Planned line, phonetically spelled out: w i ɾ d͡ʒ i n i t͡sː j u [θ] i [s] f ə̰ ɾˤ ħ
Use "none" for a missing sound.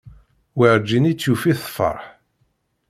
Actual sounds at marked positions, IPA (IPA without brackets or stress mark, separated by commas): f, θ